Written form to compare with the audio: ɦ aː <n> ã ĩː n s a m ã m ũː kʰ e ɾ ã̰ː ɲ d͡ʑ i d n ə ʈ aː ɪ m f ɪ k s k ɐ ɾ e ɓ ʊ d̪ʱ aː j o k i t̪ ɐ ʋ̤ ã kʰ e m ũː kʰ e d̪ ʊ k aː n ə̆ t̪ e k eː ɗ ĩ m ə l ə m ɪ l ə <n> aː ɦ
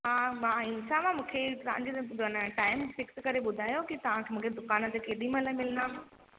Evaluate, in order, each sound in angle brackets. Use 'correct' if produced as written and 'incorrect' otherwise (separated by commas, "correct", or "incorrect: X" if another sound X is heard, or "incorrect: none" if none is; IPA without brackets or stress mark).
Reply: incorrect: m, correct